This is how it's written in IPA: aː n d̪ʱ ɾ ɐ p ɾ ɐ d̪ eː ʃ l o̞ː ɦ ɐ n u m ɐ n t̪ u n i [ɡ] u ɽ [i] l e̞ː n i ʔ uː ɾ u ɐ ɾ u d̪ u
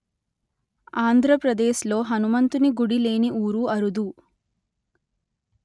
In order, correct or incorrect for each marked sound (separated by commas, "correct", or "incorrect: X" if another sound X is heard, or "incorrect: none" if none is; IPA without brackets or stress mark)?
correct, correct